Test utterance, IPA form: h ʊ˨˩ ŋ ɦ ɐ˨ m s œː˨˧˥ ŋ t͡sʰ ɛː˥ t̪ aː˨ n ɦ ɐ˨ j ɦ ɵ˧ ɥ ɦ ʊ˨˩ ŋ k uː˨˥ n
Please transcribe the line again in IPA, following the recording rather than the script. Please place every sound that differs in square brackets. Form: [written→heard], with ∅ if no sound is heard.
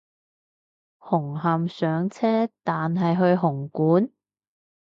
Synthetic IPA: h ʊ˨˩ ŋ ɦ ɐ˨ m s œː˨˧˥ ŋ t͡sʰ ɛː˥ t̪ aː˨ n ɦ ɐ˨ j ɦ ɵ˧ ɥ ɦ ʊ˨˩ ŋ k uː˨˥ n

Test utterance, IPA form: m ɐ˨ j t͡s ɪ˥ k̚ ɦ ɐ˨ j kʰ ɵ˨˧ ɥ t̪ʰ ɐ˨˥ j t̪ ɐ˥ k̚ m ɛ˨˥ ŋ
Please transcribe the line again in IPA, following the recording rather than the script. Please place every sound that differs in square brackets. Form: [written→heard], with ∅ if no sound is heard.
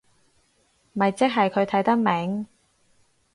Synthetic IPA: m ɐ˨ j t͡s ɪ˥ k̚ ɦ ɐ˨ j kʰ ɵ˨˧ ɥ t̪ʰ ɐ˨˥ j t̪ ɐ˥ k̚ m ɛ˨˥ ŋ

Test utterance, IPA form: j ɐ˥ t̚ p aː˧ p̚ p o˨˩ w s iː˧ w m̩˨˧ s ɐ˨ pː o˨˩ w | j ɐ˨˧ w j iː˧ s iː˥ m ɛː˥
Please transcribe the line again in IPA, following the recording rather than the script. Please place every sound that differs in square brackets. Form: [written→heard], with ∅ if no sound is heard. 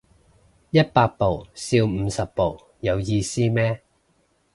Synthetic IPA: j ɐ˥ t̚ p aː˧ [p̚→k̚] p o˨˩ w s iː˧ w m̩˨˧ s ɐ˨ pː o˨˩ w | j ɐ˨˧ w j iː˧ s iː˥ m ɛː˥

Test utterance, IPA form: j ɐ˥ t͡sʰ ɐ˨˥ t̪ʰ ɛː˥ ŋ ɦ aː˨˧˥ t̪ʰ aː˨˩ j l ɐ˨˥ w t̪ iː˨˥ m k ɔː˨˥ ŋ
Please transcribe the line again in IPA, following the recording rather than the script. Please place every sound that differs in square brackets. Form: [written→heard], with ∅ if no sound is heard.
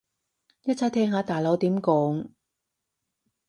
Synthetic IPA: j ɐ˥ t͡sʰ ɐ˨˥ t̪ʰ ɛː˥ ŋ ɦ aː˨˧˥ [t̪ʰ→t̪] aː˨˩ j l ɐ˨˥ w t̪ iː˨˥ m k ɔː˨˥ ŋ

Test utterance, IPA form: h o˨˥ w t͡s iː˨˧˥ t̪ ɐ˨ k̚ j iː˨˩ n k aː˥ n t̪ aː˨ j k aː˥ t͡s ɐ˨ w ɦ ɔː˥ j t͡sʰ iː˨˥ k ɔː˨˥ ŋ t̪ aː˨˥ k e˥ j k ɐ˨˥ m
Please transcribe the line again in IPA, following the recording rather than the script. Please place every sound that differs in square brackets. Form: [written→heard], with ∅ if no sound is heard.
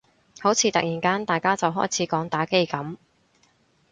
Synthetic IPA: h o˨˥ w [t͡s→t͡sʰ] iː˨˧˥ t̪ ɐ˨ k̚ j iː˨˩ n k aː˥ n t̪ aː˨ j k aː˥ t͡s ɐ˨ w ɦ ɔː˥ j t͡sʰ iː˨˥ k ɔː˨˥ ŋ t̪ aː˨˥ k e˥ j k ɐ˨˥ m

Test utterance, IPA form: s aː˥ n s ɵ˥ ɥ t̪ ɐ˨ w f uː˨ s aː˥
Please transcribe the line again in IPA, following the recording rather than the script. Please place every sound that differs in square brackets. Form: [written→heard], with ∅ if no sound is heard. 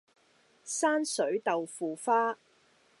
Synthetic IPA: s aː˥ n s [ɵ˥→ɵ˨˥] ɥ t̪ ɐ˨ w f uː˨ [s→f] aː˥

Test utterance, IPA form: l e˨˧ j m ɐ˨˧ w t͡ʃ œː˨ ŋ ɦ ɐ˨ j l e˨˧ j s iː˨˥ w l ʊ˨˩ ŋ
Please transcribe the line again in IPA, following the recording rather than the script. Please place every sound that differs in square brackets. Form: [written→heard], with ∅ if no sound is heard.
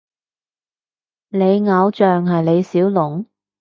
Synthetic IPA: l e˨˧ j [m→ŋ] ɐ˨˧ w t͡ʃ œː˨ ŋ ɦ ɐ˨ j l e˨˧ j s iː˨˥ w l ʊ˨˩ ŋ

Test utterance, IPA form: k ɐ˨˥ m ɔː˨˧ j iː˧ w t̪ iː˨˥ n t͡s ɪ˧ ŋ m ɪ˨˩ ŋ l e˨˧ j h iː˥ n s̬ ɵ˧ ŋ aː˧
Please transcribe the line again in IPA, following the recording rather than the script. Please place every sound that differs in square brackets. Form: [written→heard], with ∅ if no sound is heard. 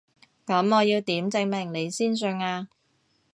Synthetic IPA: k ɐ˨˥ m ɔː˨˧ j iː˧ w t̪ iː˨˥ [n→m] t͡s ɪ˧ ŋ m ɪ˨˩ ŋ l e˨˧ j [h→s] iː˥ n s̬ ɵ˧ ŋ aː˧

